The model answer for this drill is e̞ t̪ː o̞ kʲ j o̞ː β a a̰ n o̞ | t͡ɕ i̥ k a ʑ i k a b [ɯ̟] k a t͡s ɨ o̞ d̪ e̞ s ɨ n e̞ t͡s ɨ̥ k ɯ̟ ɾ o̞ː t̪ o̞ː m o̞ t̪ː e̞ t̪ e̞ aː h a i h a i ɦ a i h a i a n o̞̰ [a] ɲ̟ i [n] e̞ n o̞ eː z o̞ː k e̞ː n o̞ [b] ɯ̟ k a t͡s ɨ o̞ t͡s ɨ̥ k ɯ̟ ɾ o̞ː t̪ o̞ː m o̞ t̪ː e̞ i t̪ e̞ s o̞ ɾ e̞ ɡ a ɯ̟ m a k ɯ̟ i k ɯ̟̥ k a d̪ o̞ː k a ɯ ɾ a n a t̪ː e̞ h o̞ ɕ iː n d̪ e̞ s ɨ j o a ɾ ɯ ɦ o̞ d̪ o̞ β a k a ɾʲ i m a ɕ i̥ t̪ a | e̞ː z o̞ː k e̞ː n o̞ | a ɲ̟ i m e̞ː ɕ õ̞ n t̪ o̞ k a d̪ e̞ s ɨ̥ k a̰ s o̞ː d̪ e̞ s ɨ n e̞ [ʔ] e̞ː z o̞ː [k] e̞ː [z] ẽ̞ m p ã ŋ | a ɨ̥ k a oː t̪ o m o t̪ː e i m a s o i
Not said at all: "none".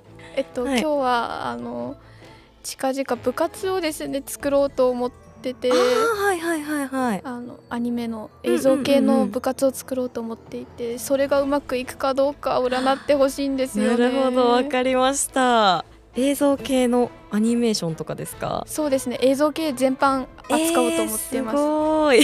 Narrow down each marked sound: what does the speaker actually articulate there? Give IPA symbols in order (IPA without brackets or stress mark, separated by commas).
ɯ̟, a, m, b, ʔ, k, z